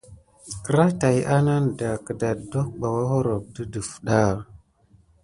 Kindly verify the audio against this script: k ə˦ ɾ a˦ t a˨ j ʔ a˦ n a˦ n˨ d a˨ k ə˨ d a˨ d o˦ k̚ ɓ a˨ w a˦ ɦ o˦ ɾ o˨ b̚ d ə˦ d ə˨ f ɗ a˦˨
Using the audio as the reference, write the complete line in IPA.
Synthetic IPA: k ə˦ ɾ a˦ t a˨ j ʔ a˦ n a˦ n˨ d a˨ k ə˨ d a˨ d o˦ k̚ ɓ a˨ w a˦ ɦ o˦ ɾ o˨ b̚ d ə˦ d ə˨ f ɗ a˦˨